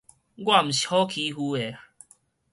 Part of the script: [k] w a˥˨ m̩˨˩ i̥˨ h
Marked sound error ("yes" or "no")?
yes